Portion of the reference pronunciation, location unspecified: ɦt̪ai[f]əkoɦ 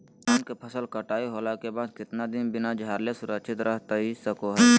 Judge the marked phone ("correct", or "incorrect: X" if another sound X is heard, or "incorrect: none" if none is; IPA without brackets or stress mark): incorrect: s